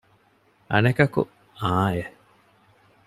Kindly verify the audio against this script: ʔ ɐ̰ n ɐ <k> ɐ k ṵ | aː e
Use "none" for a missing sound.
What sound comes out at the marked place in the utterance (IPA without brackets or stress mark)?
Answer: k